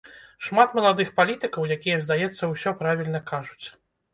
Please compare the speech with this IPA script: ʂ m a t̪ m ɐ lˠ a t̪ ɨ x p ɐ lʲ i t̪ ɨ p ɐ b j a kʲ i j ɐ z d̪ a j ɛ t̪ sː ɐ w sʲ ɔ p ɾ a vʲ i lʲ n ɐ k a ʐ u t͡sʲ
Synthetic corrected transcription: ʂ m a t̪ m ɐ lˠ a d̪ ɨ x p a lʲ i t̪ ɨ k ɐ w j a kʲ i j ɐ z d̪ a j ɛ t̪ sː ɐ w sʲ ɔ p ɾ a vʲ i lʲ n ɐ k a ʐ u t͡sʲ